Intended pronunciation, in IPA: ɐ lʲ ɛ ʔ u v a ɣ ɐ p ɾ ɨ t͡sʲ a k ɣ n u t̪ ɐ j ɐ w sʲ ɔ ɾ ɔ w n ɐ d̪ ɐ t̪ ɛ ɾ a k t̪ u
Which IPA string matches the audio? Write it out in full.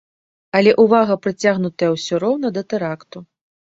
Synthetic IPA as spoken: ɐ lʲ ɛ ʔ u v a ɣ ɐ p ɾ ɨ t͡sʲ a ɣ n u t̪ ɐ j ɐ w sʲ ɔ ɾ ɔ w n ɐ d̪ ɐ t̪ ɛ ɾ a k t̪ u